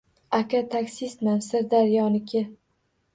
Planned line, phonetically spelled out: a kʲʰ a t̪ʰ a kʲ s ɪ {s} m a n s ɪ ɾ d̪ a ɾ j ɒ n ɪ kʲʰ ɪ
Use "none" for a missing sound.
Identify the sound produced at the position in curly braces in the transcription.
s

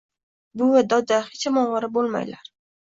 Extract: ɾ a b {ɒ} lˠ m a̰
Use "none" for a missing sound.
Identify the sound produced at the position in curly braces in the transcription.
o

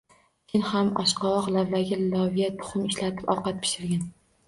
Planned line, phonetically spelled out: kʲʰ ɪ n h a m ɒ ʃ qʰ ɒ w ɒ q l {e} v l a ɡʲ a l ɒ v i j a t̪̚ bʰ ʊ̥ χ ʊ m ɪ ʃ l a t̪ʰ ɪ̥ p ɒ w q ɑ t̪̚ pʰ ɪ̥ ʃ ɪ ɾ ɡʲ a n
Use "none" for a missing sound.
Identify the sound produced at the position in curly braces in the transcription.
a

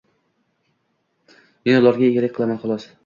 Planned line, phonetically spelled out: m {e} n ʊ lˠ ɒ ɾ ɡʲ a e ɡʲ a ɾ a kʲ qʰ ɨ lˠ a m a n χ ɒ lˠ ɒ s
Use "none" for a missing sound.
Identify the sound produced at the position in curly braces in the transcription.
e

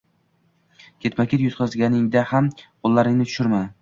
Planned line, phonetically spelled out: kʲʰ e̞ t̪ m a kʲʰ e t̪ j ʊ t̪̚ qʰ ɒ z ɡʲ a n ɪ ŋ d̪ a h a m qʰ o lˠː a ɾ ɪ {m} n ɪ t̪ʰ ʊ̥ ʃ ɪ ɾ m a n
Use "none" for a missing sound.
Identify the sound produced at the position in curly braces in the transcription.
ŋ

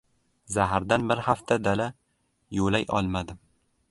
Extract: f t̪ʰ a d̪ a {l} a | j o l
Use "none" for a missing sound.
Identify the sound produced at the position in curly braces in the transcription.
l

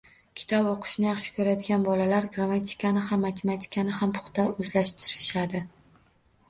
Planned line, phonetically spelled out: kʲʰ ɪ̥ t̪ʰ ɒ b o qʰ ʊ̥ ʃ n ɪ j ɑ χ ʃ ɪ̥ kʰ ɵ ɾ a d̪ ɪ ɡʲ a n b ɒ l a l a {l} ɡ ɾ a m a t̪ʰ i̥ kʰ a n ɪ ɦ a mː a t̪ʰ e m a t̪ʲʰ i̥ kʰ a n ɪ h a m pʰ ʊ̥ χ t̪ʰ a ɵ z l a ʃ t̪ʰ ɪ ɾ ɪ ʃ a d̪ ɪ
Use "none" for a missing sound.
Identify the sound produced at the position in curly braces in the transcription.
ɾ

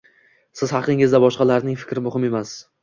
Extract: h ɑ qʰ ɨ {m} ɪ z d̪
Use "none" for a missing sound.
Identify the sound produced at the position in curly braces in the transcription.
ŋ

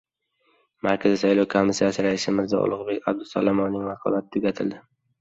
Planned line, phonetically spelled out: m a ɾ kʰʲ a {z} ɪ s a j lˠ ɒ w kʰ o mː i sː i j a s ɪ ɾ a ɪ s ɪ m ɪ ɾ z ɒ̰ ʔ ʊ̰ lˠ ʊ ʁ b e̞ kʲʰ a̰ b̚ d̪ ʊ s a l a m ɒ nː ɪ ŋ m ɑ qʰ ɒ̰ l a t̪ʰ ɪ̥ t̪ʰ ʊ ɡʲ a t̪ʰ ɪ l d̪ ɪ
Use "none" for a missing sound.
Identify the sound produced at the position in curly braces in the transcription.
z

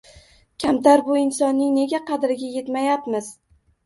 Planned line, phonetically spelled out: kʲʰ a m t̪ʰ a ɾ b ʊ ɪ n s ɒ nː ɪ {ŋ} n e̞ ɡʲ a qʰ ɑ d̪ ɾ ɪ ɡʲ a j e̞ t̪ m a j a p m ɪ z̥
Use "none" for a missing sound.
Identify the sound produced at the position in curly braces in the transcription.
ŋ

